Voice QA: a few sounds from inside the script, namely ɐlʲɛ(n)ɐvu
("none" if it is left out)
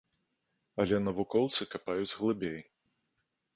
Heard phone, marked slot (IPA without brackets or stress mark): n